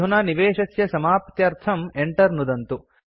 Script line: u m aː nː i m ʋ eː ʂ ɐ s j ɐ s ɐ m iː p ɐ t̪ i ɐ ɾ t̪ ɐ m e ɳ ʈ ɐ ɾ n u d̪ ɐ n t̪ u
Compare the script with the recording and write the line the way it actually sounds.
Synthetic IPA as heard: u n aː n i ʋ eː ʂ ɐ s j ɐ s ɐ m aː p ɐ t̪ j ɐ ɾ t̪ʰ ɐ m e ɳ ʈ ɐ ɾ n u d̪ ɐ n t̪ u